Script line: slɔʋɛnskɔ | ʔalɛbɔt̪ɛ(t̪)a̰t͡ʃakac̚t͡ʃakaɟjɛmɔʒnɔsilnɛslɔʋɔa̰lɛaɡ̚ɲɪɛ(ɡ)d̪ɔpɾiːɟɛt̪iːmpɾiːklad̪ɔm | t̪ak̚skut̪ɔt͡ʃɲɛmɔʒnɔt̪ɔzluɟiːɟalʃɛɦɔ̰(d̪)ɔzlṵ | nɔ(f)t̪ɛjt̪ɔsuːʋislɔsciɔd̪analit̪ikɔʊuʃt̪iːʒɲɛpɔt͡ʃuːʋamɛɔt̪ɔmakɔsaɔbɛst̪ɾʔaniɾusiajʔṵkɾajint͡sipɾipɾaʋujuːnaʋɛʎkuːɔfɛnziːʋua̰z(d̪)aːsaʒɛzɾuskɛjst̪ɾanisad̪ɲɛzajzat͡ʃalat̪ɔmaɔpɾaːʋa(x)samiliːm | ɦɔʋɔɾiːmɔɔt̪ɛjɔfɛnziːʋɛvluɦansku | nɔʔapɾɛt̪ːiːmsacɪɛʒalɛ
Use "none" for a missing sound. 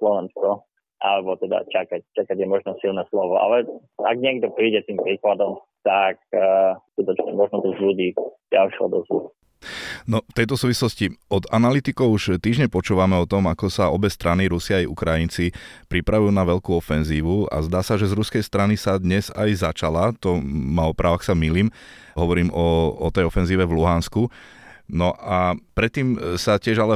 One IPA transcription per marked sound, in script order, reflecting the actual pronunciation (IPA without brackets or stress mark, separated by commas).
d̪, ɡ, d̪, f, d̪, x